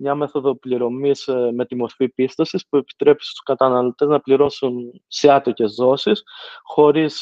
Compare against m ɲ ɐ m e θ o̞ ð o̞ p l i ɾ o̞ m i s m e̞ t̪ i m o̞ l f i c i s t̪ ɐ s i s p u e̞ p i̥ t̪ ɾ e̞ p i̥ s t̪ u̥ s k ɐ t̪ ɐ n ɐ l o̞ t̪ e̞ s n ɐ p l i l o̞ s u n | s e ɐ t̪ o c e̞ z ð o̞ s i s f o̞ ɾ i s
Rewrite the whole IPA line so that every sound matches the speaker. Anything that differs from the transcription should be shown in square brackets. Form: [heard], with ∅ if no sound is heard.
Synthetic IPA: m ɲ ɐ m e θ o̞ ð o̞ p l i ɾ o̞ m i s m e̞ t̪ i m o̞ [ɾ] f i [p] i s t̪ ɐ s i s p u e̞ p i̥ t̪ ɾ e̞ p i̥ s t̪ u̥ s k ɐ t̪ ɐ n ɐ l o̞ t̪ e̞ [z] n ɐ p l i [ɾ] o̞ s u n | s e ɐ t̪ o c e̞ z ð o̞ s i s [x] o̞ ɾ i s